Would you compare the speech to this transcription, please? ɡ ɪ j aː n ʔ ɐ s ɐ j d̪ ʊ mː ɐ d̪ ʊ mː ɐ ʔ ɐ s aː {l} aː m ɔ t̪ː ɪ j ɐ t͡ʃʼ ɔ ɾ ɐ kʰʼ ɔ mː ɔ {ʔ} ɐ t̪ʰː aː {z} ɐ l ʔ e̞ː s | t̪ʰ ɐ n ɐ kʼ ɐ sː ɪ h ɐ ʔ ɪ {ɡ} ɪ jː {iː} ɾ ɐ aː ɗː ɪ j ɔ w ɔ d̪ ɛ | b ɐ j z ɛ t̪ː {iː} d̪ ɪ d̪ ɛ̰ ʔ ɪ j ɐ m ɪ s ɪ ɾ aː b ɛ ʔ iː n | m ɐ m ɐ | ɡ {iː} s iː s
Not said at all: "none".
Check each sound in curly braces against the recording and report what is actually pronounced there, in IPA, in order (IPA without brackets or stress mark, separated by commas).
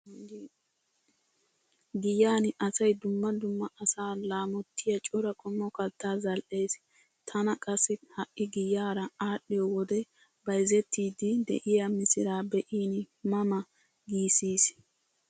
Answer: l, k, z, ɡ, aː, iː, iː